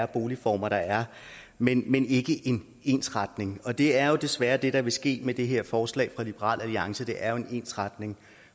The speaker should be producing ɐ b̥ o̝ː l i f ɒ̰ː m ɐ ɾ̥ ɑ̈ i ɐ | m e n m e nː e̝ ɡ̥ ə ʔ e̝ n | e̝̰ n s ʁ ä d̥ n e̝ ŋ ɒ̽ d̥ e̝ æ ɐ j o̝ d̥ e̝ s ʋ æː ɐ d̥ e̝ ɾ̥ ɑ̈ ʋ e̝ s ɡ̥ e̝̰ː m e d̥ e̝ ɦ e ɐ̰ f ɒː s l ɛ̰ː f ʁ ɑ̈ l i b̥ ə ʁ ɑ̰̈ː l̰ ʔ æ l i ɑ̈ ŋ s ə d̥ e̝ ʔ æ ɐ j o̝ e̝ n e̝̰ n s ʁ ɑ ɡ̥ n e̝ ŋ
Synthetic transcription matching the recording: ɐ b̥ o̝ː l i f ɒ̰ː m ɐ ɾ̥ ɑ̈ æ ɐ | m e n m e n e̝ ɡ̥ ə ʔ e̝ n | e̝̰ n s ʁ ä d̥ n e̝ ŋ ɒ̽ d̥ e̝ æ ɐ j o̝ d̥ e̝ s ʋ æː ɐ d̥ e̝ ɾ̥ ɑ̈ ʋ e̝ s ɡ̥ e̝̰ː m e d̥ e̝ ɦ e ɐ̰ f ɒː s l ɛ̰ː f ʁ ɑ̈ l i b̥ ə ʁ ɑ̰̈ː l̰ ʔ æ l i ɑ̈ ŋ s ə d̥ e̝ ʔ æ ɐ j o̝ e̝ n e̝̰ n s ʁ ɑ d̥ n e̝ ŋ